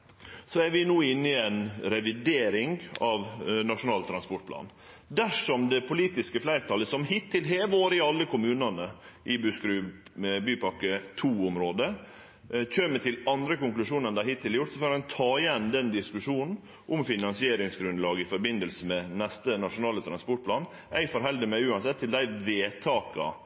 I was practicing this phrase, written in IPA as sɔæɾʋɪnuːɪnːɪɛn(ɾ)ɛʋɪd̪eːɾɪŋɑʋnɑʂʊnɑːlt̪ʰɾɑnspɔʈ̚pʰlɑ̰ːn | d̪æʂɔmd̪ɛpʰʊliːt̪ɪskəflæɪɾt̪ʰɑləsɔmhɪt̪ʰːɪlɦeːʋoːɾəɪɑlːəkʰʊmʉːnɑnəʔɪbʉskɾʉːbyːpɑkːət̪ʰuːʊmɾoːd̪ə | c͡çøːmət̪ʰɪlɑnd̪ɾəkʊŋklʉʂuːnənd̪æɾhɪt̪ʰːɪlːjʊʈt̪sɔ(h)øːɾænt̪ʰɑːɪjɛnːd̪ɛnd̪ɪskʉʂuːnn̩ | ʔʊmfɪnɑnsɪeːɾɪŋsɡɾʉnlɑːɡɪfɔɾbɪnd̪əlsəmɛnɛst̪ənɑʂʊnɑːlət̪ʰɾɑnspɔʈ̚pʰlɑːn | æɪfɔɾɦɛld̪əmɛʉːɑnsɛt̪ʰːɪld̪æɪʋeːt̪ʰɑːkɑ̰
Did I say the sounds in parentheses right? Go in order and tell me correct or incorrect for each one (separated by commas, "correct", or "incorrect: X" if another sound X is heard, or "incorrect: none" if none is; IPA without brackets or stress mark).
correct, incorrect: f